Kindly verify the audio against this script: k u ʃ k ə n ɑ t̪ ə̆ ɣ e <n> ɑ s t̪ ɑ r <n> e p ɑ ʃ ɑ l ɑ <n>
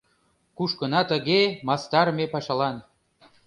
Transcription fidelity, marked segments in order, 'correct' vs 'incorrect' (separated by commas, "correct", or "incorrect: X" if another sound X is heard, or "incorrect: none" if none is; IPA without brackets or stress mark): incorrect: m, incorrect: m, correct